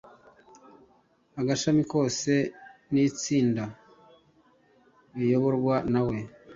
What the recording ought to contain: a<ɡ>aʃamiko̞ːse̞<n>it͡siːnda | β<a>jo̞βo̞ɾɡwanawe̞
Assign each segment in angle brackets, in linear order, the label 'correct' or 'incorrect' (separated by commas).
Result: correct, correct, incorrect